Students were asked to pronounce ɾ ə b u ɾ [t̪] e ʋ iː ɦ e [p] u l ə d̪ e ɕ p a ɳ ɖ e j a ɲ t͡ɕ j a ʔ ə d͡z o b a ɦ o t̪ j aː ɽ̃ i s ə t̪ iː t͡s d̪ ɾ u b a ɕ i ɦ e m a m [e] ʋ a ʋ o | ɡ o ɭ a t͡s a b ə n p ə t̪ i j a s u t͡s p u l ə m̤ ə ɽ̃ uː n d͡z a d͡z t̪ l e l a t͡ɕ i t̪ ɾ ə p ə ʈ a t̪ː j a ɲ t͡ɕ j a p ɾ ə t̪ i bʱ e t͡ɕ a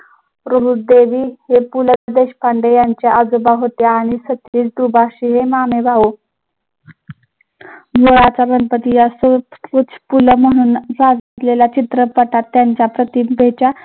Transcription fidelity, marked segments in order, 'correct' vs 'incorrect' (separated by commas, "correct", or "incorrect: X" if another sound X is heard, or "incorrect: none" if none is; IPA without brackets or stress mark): incorrect: d̪, correct, correct